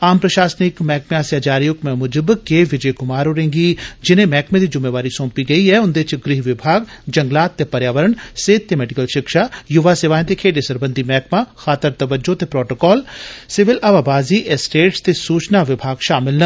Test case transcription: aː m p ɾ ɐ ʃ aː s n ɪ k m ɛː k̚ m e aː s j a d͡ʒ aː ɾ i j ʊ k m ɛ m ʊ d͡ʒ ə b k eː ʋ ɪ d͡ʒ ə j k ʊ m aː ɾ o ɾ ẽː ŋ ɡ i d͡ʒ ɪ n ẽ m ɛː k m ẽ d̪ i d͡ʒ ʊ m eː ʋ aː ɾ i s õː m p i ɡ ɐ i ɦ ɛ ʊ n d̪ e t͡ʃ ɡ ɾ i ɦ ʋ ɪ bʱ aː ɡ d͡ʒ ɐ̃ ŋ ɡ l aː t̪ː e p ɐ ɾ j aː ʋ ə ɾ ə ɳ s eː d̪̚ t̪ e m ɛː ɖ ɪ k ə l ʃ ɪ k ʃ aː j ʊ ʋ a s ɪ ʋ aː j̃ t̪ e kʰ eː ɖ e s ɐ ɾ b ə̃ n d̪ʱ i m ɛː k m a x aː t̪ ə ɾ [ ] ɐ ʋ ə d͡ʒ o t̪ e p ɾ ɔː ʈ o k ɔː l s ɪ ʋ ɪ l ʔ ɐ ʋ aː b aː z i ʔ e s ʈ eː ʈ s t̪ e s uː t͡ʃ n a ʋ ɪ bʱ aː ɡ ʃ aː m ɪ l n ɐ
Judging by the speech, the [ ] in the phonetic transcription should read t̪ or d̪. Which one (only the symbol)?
t̪